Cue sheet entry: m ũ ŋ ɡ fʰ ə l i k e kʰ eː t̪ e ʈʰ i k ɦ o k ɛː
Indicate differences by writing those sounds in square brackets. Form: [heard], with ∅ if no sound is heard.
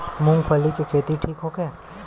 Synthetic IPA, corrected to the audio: m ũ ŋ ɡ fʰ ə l i k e kʰ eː t̪ [i] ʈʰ [iː] k ɦ o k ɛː